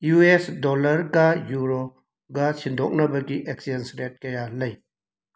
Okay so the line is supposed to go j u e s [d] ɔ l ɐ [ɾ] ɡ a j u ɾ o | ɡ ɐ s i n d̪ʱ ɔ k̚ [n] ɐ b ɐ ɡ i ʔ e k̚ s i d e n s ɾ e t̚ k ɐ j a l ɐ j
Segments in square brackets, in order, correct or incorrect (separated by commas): correct, correct, correct